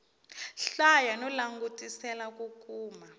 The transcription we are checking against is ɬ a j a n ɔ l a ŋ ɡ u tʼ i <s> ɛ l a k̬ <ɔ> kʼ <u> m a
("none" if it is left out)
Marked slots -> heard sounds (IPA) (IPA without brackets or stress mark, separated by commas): s, u, uː